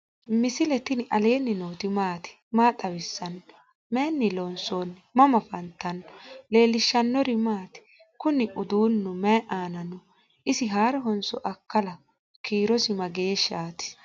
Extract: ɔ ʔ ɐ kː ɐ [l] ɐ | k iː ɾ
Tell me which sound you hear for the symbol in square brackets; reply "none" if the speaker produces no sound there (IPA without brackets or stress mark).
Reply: l